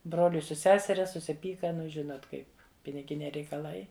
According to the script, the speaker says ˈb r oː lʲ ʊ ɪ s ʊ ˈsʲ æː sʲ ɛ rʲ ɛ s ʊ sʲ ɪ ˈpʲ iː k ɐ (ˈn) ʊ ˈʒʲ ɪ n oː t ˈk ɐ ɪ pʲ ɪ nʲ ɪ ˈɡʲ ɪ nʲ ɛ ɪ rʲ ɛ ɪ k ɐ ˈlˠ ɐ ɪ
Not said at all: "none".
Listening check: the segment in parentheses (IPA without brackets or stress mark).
n